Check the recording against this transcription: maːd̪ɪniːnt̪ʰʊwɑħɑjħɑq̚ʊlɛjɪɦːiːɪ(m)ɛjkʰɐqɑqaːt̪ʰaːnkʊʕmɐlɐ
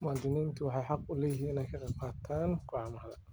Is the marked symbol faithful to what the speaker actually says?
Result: no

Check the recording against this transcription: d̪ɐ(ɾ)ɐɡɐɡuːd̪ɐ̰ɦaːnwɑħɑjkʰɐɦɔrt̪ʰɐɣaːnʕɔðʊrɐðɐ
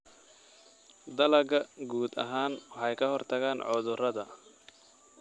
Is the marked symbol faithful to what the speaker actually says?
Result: no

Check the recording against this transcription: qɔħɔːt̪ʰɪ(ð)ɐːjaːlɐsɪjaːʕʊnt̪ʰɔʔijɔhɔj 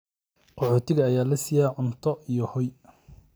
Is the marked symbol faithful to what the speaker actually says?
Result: no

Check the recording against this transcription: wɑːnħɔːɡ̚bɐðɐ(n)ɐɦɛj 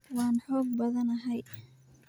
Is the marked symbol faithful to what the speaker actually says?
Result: yes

